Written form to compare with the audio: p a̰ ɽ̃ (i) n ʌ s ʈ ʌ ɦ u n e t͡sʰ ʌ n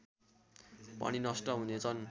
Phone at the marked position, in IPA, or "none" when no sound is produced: i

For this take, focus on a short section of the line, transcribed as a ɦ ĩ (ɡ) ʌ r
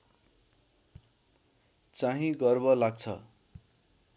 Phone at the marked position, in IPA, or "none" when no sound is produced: ɡ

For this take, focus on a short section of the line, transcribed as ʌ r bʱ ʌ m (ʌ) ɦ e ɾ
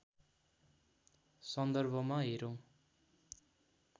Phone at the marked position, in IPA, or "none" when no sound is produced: a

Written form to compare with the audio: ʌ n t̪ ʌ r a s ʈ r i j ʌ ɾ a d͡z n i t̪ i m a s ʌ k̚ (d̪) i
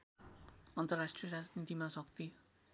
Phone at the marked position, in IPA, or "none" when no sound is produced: t̪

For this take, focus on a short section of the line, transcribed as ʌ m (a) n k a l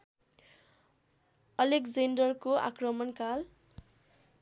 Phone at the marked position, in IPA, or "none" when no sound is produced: ʌ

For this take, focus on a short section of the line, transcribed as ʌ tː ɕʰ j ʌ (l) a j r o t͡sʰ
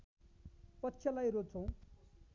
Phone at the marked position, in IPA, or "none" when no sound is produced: l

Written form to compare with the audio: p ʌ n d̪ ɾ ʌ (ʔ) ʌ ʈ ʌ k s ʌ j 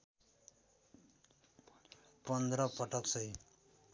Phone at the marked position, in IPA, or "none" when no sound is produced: p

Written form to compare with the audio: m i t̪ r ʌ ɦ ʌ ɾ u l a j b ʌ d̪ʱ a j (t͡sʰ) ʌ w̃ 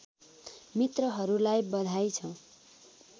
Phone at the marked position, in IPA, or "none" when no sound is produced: t͡sʰ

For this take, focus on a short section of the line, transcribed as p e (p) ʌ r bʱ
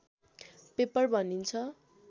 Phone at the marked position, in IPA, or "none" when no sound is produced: p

